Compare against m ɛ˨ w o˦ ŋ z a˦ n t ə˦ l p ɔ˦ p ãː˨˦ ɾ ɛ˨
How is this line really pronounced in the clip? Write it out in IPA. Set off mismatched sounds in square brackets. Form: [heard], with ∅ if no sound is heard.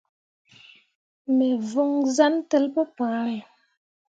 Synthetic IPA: m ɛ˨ [v] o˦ ŋ z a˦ n t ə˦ l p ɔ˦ p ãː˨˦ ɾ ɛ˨

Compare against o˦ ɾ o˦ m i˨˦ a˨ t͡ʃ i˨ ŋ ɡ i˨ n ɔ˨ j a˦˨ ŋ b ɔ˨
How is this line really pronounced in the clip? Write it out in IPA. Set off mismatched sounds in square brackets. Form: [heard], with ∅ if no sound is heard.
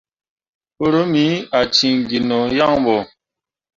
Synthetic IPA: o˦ ɾ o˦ m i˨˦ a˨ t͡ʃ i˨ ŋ ɡ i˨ n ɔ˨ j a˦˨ ŋ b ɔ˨

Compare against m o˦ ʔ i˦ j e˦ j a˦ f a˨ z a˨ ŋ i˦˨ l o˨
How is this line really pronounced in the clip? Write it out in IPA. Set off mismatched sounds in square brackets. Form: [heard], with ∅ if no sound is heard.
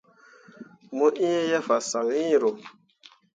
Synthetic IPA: m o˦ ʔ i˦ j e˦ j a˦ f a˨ [s] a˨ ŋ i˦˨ [ɾ] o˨

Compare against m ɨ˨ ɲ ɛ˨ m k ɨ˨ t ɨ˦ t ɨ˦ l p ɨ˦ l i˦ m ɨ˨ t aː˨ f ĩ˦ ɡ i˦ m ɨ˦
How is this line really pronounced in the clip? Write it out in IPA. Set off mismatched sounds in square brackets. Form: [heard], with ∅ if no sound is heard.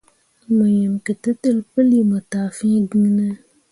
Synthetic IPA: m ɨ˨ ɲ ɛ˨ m k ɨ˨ t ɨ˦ t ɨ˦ l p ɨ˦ l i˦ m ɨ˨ t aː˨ f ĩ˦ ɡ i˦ [n] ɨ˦

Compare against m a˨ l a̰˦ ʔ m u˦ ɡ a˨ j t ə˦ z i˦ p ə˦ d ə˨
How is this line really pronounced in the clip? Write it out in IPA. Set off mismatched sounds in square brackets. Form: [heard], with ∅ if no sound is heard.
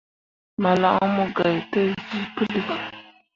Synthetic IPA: m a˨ l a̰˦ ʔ m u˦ ɡ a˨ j t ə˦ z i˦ p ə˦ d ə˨

